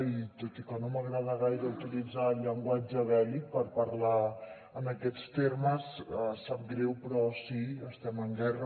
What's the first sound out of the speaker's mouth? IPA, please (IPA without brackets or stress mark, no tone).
i